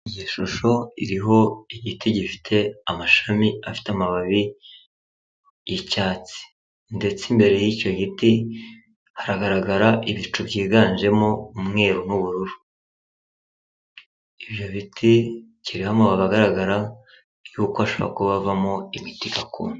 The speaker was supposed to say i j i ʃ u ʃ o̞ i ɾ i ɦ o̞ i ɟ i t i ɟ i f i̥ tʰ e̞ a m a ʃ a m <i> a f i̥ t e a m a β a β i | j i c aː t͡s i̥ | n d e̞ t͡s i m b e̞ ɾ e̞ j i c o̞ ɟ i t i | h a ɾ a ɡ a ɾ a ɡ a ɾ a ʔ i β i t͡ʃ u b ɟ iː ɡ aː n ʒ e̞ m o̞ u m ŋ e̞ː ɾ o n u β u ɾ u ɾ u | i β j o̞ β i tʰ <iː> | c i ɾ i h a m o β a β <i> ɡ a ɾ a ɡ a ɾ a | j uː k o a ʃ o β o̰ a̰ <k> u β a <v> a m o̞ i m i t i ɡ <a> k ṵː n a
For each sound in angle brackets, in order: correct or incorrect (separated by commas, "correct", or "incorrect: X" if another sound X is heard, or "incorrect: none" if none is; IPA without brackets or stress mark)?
correct, incorrect: i, incorrect: a, correct, correct, correct